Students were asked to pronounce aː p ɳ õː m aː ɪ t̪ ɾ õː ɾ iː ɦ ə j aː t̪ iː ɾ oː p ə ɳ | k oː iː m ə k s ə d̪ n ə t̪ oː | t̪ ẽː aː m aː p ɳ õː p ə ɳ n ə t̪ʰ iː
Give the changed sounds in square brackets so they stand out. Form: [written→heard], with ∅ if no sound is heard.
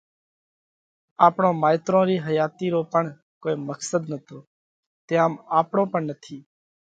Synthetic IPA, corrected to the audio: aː p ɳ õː m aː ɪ t̪ ɾ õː ɾ iː ɦ ə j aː t̪ iː ɾ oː p ə ɳ | k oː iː m ə k s ə d̪ n ə t̪ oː | t̪ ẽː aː m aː p ɳ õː p ə ɳ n ə t̪ʰ iː

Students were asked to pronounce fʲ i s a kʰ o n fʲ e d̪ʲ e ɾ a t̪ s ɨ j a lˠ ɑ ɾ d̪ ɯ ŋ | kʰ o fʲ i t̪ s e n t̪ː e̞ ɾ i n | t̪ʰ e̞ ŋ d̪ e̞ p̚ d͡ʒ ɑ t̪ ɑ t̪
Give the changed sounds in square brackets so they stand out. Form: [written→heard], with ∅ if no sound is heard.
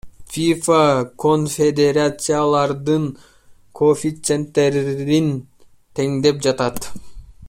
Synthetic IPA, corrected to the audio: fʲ i [s→f] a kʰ o n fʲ e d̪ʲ e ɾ a t̪ s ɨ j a lˠ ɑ ɾ d̪ ɯ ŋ | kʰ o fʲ i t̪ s e n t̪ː e̞ ɾ i n | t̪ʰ e̞ ŋ d̪ e̞ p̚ d͡ʒ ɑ t̪ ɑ t̪

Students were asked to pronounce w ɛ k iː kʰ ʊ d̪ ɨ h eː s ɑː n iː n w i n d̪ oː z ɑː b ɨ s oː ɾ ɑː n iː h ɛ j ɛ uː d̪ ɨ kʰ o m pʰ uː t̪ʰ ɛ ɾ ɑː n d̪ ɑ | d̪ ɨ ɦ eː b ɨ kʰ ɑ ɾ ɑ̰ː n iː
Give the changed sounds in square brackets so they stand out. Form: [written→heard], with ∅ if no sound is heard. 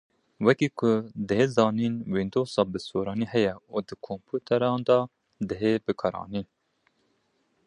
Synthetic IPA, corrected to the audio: w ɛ k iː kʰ ʊ d̪ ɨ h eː [s→z] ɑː n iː n w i n d̪ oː [z→s] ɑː b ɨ s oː ɾ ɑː n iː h ɛ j ɛ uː d̪ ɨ kʰ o m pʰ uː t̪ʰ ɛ ɾ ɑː n d̪ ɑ | d̪ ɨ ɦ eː b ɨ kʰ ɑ ɾ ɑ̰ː n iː

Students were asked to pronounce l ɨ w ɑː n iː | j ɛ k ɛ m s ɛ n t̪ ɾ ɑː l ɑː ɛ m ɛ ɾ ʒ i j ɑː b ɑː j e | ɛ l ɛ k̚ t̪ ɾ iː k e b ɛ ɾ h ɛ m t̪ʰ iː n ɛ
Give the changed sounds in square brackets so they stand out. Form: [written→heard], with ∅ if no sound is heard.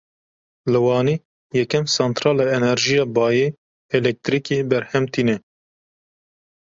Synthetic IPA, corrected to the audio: l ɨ w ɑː n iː | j ɛ k ɛ m s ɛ n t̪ ɾ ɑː l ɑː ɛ [m→n] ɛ ɾ ʒ i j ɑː b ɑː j e | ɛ l ɛ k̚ t̪ ɾ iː k e b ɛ ɾ h ɛ m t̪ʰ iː n ɛ

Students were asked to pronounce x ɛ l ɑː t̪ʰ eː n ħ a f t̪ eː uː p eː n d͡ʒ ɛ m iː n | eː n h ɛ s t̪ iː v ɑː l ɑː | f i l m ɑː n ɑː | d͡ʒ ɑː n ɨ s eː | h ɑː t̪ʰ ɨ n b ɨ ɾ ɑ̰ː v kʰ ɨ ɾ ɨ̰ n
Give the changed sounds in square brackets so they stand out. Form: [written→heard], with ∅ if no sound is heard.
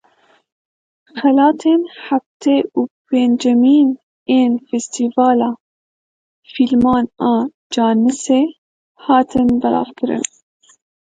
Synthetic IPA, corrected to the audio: x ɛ l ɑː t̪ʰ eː n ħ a f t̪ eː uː p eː n d͡ʒ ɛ m iː n | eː n [h→f] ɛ s t̪ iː v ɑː l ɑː | f i l m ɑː n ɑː | d͡ʒ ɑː n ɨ s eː | h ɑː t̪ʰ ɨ n b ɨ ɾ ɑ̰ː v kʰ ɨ ɾ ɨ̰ n

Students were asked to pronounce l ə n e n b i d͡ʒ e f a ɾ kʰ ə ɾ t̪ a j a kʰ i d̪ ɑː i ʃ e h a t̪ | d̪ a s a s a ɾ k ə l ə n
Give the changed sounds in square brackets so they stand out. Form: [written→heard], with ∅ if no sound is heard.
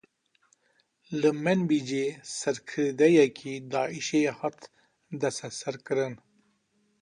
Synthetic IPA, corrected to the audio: l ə [n→m] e n b i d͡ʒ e [f→s] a ɾ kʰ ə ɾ [t̪→d̪] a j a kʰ i d̪ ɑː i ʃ e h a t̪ | d̪ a s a s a ɾ k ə [l→ɾ] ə n

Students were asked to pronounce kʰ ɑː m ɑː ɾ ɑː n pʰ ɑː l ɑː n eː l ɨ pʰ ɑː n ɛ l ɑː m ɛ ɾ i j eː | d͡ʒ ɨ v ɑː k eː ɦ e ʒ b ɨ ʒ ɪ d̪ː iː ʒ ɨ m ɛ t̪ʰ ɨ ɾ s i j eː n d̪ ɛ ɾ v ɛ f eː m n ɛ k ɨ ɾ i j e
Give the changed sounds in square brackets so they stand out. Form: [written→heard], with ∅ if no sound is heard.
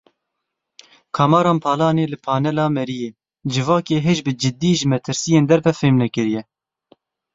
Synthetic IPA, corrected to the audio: kʰ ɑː m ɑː ɾ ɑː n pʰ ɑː l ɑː n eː l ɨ pʰ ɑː n ɛ l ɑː m ɛ ɾ i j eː | d͡ʒ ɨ v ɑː k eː ɦ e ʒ b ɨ [ʒ→d͡ʒ] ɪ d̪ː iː ʒ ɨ m ɛ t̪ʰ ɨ ɾ s i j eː n d̪ ɛ ɾ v ɛ f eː m n ɛ k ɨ ɾ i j [e→ɛ]

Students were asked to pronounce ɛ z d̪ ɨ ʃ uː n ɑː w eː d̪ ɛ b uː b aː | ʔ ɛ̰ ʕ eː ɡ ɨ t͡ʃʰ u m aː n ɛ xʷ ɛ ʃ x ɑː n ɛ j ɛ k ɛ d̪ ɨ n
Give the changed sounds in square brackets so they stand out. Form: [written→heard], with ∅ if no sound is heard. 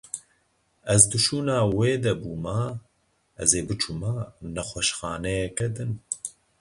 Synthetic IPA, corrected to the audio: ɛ z d̪ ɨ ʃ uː n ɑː w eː d̪ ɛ b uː [b→m] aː | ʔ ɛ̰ [ʕ→z] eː [ɡ→b] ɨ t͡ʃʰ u m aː n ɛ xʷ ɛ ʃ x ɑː n ɛ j ɛ k ɛ d̪ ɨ n

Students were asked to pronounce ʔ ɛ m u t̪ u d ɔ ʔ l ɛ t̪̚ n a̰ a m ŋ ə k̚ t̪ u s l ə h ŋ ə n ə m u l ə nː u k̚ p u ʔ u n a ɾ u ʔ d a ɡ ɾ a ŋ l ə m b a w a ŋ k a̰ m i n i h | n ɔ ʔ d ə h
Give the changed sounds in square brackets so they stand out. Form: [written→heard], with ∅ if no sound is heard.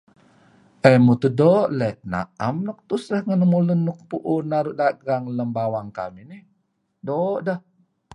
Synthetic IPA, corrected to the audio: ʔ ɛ m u t̪ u d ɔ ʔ l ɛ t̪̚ n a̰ a m [ŋ→n] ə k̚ t̪ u s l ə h ŋ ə n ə m u l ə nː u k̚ p u ʔ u n a ɾ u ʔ d a ɡ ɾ a ŋ l ə m b a w a ŋ k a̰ m i n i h | [n→d] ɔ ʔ d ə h

